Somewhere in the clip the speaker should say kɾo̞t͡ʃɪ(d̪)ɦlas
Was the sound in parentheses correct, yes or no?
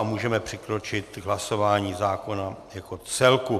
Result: no